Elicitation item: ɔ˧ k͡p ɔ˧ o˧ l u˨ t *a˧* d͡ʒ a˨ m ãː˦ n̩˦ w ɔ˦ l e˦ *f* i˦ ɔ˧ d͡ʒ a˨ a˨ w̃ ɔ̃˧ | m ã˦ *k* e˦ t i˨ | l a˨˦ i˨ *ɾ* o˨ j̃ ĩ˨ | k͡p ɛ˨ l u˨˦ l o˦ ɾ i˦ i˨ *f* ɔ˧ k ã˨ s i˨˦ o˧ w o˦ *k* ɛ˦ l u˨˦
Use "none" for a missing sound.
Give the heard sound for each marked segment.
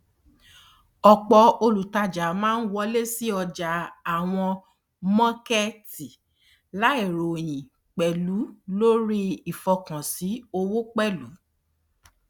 a˧, s, k, ɾ, f, k͡p

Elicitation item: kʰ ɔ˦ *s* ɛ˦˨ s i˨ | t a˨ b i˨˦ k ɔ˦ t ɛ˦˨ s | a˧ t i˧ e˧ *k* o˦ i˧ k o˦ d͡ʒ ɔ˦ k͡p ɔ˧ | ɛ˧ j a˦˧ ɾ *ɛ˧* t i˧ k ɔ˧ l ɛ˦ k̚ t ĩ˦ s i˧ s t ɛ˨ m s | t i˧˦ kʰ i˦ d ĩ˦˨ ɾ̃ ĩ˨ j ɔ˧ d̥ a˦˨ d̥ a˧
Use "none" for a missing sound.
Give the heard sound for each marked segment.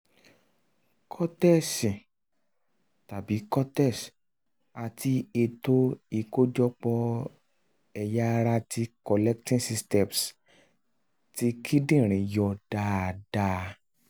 t, t, a˧

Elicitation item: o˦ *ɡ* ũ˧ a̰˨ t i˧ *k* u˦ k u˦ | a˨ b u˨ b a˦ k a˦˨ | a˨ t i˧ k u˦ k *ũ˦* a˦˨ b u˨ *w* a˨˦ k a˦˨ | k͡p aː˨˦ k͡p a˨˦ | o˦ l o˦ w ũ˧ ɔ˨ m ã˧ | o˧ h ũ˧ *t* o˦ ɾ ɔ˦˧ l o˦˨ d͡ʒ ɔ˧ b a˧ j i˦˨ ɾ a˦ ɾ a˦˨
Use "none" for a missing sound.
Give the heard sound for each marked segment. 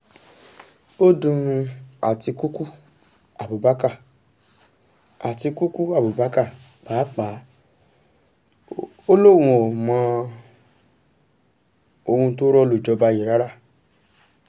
d, k, u˦, b, t

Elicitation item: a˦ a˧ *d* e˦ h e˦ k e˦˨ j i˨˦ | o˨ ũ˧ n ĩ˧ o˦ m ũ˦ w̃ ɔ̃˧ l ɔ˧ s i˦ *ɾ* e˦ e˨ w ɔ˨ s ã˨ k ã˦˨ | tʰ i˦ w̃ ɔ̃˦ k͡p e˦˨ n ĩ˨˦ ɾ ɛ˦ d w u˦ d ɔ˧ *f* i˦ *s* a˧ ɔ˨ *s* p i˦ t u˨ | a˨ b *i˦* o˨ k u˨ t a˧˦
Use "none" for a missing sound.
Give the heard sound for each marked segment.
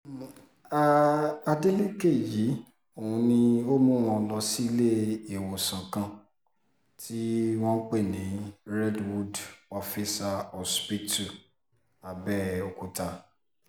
d, l, f, s, s, ɛ˦

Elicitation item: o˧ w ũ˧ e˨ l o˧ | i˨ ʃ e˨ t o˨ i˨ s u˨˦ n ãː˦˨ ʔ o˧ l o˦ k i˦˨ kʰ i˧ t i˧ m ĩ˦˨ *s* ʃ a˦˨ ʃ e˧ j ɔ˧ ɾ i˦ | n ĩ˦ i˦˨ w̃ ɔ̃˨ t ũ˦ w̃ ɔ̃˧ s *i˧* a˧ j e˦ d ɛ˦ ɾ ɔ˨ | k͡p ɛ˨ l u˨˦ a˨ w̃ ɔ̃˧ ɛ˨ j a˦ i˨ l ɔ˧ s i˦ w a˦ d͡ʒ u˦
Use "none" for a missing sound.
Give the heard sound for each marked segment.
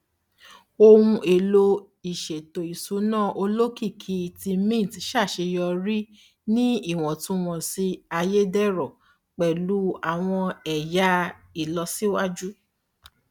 t, i˧

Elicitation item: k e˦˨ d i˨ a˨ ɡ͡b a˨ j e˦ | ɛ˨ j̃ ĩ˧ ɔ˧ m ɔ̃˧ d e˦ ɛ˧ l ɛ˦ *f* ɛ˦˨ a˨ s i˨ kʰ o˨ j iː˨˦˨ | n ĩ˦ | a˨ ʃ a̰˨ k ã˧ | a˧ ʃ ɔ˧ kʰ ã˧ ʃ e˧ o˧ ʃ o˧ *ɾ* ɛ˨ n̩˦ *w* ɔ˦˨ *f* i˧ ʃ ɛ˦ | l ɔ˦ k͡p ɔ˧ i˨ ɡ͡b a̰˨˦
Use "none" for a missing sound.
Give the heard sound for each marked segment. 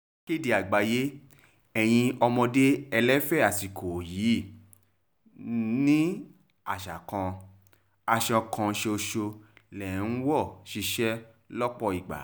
f, l, w, ʃ

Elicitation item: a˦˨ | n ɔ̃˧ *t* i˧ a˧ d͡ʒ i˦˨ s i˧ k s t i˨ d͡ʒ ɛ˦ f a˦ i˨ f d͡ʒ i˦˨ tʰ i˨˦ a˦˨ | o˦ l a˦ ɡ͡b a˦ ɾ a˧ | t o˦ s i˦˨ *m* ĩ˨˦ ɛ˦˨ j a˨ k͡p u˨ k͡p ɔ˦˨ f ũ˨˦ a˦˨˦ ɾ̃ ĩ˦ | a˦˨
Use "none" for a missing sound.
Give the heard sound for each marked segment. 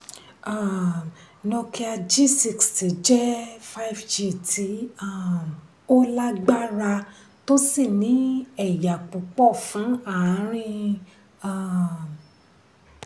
k, n

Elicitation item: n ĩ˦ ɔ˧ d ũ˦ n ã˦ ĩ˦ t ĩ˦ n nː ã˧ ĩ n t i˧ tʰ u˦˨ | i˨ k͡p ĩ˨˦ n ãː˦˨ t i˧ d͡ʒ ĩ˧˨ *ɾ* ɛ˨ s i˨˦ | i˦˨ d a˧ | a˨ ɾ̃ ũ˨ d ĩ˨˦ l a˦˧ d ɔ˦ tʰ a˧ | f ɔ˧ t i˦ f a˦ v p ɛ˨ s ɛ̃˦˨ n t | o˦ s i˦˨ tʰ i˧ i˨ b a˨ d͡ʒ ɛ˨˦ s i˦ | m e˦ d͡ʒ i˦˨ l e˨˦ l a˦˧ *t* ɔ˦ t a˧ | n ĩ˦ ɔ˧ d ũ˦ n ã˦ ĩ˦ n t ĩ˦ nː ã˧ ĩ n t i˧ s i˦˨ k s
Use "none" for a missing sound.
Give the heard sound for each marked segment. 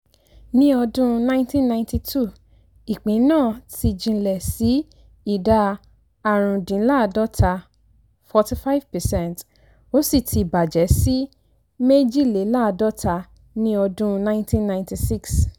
l, d

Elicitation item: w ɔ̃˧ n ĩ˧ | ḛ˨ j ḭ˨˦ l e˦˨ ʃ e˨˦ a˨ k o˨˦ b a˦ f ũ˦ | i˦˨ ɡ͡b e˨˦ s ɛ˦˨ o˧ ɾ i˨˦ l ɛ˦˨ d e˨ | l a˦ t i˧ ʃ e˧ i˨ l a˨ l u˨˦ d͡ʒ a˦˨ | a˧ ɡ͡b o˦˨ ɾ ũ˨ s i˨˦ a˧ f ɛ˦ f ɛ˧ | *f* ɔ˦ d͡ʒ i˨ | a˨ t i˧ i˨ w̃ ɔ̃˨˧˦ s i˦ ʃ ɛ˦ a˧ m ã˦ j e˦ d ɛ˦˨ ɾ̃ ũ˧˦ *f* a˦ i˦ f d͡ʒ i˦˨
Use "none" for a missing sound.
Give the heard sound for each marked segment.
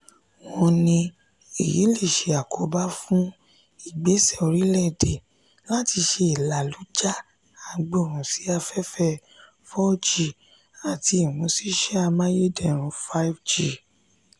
f, f

